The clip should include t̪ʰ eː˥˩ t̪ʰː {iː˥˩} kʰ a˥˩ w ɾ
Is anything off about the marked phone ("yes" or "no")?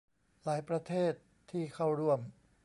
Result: no